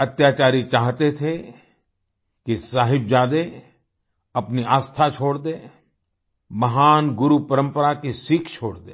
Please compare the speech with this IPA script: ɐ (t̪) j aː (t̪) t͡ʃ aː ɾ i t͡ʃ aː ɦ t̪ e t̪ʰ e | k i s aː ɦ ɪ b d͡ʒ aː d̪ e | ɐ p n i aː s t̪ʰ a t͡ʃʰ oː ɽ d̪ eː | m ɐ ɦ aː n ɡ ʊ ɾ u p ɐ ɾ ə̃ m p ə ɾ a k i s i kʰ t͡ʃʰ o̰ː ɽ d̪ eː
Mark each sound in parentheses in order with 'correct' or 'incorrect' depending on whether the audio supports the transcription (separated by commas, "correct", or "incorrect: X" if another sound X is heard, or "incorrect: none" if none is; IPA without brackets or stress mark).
correct, incorrect: none